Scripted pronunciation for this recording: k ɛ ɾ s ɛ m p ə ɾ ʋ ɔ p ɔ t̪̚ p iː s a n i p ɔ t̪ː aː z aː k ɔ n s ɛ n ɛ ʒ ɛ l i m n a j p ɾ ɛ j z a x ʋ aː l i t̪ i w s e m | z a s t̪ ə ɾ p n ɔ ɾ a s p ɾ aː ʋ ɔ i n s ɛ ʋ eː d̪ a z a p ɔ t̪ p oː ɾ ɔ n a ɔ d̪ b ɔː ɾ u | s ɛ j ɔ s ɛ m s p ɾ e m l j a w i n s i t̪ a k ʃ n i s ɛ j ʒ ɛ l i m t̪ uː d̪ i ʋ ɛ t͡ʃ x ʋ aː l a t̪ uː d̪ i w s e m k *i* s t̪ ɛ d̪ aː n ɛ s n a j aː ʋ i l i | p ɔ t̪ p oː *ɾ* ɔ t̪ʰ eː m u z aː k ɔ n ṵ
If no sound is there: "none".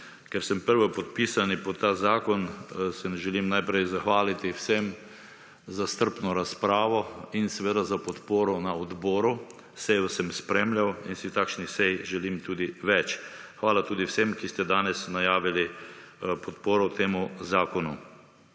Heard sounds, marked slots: i, ɾ

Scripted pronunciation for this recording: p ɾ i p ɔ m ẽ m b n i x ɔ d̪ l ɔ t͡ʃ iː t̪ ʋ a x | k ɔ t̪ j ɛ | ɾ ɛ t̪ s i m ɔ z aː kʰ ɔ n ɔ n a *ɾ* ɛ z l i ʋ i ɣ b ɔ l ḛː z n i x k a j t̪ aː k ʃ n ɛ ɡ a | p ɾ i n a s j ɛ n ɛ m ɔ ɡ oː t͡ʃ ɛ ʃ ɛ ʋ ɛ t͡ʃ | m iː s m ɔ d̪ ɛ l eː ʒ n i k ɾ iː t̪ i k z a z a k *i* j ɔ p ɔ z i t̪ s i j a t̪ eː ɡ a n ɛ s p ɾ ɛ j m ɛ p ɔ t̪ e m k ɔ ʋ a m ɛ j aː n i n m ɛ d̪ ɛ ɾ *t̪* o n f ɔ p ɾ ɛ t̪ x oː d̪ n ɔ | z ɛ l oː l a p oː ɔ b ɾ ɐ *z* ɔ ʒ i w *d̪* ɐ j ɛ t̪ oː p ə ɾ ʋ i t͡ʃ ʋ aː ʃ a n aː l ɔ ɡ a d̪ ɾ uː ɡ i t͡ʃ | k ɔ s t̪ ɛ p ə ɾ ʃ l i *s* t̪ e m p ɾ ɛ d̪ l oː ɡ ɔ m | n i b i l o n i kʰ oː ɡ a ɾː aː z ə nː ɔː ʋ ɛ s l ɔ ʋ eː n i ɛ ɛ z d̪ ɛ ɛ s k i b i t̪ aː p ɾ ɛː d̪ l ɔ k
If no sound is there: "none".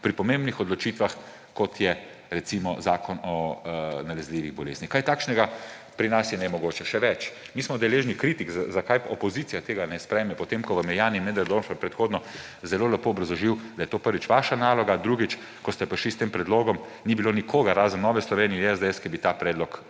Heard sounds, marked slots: l, a, d̪, z, d̪, s

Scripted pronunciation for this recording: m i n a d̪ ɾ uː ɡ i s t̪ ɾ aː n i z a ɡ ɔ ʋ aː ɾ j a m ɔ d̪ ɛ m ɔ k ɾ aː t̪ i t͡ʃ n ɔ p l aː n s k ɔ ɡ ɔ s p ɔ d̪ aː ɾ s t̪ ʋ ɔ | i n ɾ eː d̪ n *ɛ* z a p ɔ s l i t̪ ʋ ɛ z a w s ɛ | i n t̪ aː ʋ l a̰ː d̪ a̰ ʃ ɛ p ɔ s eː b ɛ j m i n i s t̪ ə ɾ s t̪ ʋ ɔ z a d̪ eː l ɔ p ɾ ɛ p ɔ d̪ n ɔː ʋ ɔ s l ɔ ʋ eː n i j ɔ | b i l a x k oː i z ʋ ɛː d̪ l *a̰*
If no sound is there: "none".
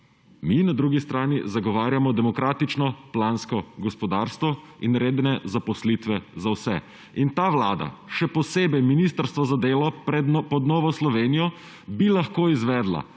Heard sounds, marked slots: ɛ, a̰

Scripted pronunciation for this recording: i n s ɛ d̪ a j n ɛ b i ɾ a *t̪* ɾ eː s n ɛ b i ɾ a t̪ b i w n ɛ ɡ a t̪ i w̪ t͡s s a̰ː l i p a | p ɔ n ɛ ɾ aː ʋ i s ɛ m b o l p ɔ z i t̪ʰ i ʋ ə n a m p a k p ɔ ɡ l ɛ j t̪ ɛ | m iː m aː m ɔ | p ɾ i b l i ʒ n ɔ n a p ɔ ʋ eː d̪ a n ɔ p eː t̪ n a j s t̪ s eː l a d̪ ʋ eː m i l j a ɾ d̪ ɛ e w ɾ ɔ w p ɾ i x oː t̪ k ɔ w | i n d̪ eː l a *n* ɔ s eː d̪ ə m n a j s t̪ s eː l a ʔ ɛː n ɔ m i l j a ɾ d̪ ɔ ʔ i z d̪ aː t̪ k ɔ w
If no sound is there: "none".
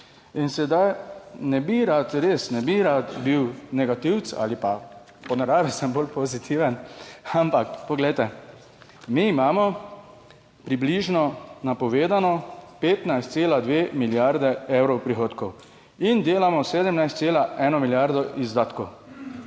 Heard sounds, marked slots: t̪, m

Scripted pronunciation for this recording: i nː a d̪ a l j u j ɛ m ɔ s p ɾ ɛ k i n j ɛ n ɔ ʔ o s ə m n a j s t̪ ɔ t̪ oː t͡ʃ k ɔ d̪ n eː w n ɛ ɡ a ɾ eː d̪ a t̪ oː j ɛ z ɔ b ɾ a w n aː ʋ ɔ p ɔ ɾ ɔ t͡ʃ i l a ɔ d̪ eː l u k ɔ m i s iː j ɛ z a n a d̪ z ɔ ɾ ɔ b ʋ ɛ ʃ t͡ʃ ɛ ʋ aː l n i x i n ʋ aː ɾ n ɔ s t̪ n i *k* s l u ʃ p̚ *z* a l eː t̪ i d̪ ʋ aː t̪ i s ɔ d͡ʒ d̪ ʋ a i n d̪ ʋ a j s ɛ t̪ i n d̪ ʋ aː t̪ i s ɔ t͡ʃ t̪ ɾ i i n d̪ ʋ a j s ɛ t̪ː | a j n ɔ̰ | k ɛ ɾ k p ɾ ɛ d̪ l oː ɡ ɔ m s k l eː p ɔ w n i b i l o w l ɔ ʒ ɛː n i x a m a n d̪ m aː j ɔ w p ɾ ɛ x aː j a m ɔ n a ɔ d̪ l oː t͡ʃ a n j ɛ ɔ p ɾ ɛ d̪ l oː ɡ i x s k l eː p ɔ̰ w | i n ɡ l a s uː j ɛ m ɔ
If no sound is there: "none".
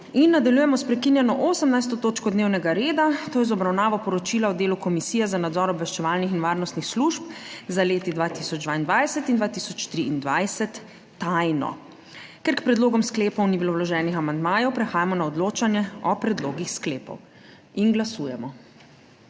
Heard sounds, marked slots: x, z

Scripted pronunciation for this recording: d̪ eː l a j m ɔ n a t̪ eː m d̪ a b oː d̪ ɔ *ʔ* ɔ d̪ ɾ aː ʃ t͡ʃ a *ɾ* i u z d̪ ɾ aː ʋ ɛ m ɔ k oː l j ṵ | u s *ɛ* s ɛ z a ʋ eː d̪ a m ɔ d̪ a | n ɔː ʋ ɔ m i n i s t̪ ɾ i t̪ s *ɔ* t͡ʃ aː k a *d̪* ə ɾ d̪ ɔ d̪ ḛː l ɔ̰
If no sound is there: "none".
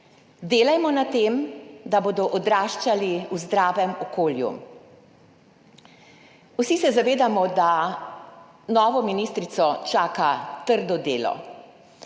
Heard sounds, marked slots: ʔ, l, i, ɔ, t̪

